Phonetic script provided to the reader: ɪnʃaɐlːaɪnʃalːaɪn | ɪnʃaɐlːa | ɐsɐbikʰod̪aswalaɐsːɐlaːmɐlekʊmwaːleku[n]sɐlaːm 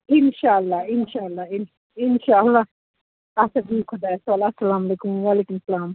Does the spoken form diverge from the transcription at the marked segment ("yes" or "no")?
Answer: yes